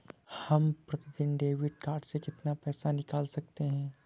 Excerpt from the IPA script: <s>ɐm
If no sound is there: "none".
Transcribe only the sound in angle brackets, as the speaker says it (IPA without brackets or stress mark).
h